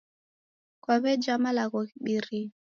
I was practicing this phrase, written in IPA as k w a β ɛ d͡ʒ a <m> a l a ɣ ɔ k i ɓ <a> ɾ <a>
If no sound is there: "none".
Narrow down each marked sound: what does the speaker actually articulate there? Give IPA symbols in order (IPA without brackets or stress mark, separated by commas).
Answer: m, i, i